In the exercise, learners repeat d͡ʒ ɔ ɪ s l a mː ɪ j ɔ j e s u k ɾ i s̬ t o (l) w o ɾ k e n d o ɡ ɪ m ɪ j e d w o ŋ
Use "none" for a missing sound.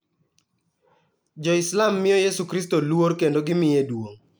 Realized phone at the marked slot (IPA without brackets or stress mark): l